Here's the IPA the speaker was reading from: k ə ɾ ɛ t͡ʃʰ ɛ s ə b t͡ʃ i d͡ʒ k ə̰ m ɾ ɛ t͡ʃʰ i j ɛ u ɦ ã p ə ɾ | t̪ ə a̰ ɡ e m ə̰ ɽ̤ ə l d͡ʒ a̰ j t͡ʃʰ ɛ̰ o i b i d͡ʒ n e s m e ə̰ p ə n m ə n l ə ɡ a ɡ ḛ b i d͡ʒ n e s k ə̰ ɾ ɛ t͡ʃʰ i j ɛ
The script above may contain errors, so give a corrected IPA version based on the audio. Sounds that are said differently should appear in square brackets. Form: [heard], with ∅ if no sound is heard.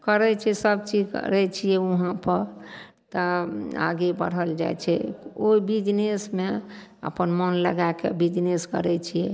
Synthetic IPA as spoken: k ə ɾ ɛ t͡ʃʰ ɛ s ə b t͡ʃ i d͡ʒ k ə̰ [∅] ɾ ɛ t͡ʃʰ i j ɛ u ɦ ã p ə ɾ | t̪ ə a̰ ɡ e [b] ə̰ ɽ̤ ə l d͡ʒ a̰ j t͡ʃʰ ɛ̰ o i b i d͡ʒ n e s m e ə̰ p ə n m ə n l ə ɡ a [k] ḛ b i d͡ʒ n e s k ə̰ ɾ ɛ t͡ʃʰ i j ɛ